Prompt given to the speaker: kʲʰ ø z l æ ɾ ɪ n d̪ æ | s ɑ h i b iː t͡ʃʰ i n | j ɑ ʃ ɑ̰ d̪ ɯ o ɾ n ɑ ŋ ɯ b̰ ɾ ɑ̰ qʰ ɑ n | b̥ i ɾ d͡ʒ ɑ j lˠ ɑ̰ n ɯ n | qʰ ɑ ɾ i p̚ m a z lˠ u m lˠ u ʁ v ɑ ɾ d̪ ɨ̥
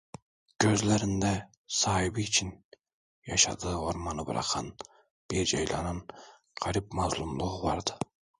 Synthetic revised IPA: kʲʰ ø z l æ ɾ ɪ n d̪ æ | s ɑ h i b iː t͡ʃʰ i n | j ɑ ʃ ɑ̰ d̪ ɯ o ɾ m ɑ n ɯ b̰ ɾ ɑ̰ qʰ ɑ n | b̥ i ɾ d͡ʒ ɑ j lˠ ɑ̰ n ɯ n | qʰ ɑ ɾ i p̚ m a z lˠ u m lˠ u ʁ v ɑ ɾ d̪ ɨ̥